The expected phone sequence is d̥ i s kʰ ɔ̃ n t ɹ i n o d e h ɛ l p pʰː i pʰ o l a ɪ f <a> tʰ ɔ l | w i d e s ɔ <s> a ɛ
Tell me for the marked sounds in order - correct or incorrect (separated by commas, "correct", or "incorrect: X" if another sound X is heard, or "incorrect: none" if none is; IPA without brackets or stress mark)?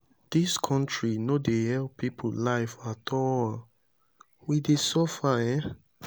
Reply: correct, incorrect: f